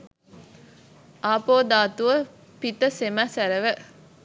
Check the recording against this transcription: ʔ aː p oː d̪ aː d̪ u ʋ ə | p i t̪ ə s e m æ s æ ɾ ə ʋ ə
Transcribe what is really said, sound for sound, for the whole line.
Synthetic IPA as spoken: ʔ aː p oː d̪ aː t̪ u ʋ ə | p i t̪ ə s e m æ s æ ɾ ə ʋ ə